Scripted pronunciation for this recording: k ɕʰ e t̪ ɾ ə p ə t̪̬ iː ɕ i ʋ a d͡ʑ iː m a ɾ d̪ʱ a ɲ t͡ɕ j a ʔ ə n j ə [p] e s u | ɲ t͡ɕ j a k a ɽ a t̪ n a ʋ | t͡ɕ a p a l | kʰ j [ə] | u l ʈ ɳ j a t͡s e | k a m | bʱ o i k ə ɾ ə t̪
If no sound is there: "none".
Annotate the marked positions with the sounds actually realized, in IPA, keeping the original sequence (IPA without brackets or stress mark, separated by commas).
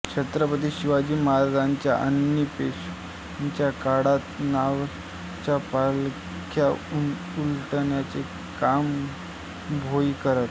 p, a